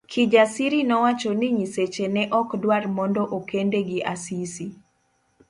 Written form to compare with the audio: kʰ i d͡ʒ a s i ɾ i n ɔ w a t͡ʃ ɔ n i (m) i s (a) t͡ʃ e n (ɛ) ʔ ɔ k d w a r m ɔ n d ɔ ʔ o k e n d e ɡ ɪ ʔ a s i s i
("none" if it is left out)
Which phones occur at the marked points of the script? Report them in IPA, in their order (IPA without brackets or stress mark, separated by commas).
ɲ, e, ɛ